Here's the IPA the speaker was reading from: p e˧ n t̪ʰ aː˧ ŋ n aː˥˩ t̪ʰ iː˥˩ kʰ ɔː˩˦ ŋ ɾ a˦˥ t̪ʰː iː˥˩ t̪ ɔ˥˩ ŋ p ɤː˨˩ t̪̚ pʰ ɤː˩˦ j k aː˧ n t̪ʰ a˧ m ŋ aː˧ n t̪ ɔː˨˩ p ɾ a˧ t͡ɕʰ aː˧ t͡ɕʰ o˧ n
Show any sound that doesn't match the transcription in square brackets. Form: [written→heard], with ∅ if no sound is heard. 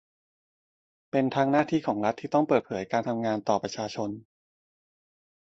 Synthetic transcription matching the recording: p e˧ n t̪ʰ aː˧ ŋ n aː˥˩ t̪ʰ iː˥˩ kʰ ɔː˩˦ ŋ ɾ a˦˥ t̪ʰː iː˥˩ t̪ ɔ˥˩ ŋ p ɤː˨˩ t̪̚ pʰ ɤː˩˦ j k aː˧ n t̪ʰ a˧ m ŋ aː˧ n t̪ ɔː˨˩ p ɾ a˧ t͡ɕʰ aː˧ t͡ɕʰ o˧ n